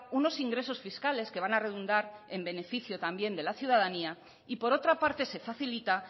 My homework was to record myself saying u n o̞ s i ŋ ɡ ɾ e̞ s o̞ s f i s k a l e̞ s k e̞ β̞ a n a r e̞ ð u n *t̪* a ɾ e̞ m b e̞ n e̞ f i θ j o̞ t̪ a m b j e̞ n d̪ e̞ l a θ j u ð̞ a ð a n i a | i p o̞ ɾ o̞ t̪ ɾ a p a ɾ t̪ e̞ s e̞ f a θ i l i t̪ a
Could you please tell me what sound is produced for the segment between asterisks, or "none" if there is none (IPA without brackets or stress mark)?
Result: d̪